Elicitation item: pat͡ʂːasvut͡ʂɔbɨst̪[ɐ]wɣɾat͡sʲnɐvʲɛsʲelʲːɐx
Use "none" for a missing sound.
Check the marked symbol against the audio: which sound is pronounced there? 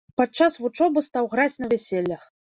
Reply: a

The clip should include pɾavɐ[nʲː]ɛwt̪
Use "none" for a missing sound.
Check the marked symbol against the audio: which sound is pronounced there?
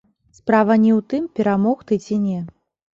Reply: nʲ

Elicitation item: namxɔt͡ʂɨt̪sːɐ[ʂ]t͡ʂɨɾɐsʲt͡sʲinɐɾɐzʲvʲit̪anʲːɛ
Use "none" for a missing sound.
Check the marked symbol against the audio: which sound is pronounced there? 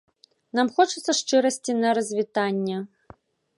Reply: ʂ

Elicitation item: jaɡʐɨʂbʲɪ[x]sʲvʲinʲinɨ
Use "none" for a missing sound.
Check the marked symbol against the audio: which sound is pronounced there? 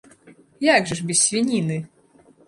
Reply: s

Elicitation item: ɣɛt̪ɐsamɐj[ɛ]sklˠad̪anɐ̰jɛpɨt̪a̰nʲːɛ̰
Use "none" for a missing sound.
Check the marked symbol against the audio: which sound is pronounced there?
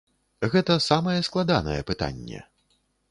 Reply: ɛ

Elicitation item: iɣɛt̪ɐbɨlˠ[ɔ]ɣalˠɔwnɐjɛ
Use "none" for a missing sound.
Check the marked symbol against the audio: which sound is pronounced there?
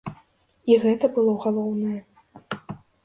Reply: ɔ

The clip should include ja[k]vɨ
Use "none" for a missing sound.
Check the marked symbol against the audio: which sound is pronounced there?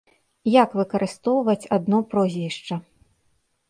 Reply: k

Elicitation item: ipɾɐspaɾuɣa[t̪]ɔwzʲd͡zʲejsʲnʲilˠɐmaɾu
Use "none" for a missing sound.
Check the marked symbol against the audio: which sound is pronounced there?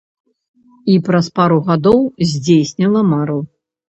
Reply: d̪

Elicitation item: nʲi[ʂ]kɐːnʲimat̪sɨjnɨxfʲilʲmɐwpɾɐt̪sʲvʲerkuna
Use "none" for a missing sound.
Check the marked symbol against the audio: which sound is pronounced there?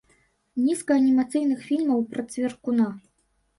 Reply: s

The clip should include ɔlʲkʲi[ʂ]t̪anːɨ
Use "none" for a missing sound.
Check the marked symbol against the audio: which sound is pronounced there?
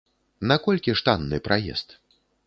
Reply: ʂ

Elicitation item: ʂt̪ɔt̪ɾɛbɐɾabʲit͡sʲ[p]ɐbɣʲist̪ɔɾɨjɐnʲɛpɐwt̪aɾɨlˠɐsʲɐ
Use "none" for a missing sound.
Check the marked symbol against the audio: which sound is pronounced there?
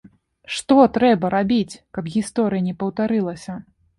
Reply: k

